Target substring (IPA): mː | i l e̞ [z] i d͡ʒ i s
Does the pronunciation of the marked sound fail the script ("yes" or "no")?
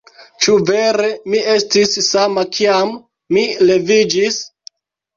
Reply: yes